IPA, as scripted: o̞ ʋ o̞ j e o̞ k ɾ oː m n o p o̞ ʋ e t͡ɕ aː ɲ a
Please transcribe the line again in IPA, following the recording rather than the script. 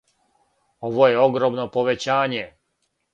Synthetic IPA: o̞ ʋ o̞ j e o̞ ɡ ɾ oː m n o p o̞ ʋ e t͡ɕ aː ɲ e